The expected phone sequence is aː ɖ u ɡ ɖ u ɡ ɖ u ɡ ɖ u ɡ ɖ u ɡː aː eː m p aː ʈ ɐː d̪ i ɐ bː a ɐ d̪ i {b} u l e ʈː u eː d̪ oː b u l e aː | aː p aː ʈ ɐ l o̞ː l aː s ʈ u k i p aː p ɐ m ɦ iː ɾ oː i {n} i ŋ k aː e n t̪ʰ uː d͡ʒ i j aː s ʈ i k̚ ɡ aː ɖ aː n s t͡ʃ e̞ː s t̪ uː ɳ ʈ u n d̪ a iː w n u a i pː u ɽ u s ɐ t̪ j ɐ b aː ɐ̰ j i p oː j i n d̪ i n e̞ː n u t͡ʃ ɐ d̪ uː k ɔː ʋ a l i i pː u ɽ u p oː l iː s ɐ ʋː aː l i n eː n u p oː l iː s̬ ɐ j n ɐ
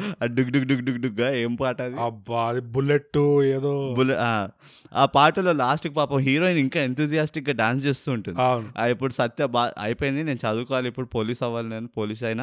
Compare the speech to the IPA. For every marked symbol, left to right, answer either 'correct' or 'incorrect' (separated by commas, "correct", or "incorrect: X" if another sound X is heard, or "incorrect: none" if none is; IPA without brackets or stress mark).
correct, correct